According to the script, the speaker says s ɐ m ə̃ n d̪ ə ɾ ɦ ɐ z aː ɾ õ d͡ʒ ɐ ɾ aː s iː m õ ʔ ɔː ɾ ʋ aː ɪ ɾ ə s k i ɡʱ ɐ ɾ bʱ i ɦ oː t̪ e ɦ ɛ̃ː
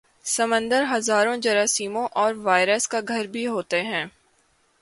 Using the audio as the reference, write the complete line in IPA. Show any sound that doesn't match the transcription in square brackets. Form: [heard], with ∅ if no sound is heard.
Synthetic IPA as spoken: s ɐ m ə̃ n d̪ ə ɾ ɦ ɐ z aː ɾ õ d͡ʒ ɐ ɾ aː s iː m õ ʔ ɔː ɾ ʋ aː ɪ ɾ ə s k [a] ɡʱ ɐ ɾ bʱ i ɦ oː t̪ e ɦ ɛ̃ː